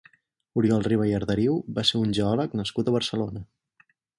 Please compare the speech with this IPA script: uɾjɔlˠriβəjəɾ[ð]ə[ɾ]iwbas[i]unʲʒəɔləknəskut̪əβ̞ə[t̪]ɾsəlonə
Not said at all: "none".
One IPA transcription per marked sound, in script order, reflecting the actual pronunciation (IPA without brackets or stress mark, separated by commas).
ð, ɾ, e, none